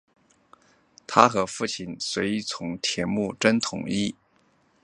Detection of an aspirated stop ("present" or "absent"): present